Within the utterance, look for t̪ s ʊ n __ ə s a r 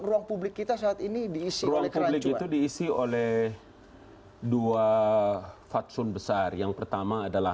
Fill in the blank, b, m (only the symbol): b